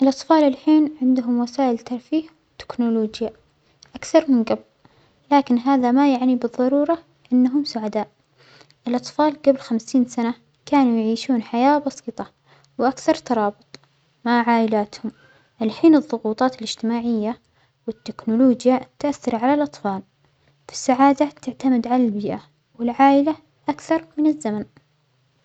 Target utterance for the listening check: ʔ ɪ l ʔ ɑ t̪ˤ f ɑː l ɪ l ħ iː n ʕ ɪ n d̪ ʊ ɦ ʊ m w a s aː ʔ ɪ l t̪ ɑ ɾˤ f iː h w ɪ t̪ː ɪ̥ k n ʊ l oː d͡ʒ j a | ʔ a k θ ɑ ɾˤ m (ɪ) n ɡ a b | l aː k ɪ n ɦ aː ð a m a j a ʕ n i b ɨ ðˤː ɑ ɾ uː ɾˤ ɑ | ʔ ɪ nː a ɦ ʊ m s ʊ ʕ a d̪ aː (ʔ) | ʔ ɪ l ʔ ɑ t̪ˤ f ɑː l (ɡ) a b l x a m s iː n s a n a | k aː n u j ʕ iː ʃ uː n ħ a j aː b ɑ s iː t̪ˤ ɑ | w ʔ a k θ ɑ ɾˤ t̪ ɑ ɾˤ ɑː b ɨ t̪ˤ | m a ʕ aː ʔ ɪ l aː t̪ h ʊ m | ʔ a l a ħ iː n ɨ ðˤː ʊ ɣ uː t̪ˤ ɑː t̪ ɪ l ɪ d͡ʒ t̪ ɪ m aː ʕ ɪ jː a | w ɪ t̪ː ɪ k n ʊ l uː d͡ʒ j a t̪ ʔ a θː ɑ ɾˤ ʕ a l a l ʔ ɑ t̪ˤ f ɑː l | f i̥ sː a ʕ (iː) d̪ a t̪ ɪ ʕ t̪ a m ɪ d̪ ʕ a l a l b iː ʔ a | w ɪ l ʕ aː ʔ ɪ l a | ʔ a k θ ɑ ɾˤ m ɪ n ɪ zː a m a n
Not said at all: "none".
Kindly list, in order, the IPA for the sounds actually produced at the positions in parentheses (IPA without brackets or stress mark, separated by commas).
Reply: ɪ, ʔ, ɡ, aː